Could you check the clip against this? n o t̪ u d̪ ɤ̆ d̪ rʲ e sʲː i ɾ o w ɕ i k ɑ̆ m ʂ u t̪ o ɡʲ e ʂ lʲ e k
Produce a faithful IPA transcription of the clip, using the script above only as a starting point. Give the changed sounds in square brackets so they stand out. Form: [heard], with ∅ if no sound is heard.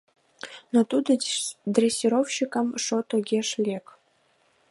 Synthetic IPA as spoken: n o t̪ u d̪ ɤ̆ d̪ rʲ e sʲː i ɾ o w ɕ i k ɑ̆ m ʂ [o] t̪ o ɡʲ e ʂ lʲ e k